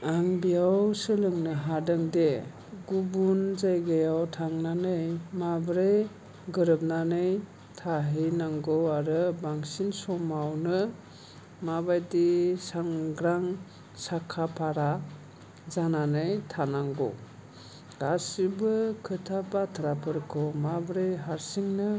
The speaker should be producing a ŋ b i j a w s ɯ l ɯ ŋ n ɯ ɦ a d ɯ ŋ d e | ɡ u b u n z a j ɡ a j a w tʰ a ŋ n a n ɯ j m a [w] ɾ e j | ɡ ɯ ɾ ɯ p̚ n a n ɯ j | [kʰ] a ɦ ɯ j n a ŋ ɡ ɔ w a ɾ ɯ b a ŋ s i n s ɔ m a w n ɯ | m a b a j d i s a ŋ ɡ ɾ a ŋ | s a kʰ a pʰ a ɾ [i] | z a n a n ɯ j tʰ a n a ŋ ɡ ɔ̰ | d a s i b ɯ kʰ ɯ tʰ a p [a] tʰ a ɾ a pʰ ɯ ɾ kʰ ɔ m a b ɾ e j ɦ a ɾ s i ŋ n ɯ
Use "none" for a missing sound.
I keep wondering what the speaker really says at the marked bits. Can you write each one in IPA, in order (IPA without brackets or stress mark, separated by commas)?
b, tʰ, a, a